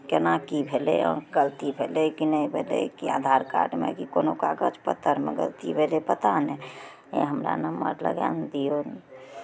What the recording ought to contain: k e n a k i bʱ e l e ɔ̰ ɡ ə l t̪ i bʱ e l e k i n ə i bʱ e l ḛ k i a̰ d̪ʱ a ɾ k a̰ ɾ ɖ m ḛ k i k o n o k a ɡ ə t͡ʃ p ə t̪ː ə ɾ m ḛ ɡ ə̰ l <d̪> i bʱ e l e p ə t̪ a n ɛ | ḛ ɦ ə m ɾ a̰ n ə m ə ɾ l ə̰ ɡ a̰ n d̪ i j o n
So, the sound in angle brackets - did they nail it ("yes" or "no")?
no